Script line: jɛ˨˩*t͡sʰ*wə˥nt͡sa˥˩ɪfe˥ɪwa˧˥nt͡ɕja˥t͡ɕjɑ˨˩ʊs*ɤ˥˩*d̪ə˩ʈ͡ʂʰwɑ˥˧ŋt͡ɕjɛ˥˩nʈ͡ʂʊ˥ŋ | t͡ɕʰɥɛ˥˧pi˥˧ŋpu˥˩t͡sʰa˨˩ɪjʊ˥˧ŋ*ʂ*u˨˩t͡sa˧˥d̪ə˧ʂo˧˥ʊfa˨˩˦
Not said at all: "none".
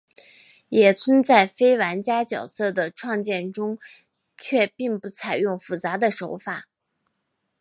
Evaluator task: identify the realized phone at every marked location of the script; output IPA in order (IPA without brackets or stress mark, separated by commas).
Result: t͡sʰ, ɤ˥˩, f